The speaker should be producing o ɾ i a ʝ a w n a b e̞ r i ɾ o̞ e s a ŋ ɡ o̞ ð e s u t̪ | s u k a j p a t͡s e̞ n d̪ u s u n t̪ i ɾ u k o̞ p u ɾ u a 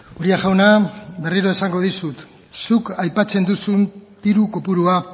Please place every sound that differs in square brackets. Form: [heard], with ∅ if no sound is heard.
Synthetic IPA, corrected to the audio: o ɾ i a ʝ a w n a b e̞ r i ɾ o̞ e s a ŋ ɡ o̞ ð [i] s u t̪ | s u k a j p a t͡s e̞ n d̪ u s u n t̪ i ɾ u k o̞ p u ɾ u a

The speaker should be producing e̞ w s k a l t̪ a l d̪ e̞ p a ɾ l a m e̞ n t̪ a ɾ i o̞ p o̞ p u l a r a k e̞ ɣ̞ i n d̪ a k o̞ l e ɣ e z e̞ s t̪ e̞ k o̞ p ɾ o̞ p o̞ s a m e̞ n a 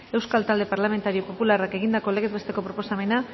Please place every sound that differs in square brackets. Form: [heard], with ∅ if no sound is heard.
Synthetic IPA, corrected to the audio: e̞ w s k a l t̪ a l d̪ e̞ p a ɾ l a m e̞ n t̪ a ɾ i o̞ p o̞ p u l a r a k e̞ ɣ̞ i n d̪ a k o̞ l e ɣ e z e̞ s t̪ e̞ k o̞ p ɾ o̞ p o̞ s a m e̞ n a

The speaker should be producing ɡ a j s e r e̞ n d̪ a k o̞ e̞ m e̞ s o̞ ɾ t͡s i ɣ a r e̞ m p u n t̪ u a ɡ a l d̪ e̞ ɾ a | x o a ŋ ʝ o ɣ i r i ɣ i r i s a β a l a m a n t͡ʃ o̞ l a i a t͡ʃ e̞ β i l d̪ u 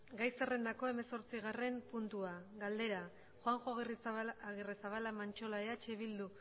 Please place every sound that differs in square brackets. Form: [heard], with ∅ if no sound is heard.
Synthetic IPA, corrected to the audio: ɡ a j s e r e̞ n d̪ a k o̞ e̞ m e̞ s o̞ ɾ t͡s i ɣ a r e̞ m p u n t̪ u a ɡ a l d̪ e̞ ɾ a | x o a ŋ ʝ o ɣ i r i ɣ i r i s a β a l a m a n t͡ʃ o̞ l a [e] a t͡ʃ e̞ β i l d̪ u

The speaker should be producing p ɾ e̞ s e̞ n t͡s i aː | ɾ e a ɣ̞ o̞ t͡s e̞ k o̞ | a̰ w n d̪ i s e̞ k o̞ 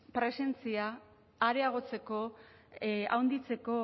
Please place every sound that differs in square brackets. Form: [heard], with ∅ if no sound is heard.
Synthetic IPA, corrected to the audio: p ɾ e̞ s e̞ n t͡s i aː | ɾ e a ɣ̞ o̞ t͡s e̞ k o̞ | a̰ w n d̪ i [t͡s] e̞ k o̞

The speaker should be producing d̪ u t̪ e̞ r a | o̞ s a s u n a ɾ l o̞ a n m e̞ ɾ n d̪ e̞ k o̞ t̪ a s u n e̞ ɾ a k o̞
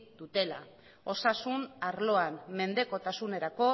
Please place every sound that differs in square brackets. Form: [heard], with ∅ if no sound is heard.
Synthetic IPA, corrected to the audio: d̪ u t̪ e̞ [l] a | o̞ s a s u n a ɾ l o̞ a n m e̞ [∅] n d̪ e̞ k o̞ t̪ a s u n e̞ ɾ a k o̞

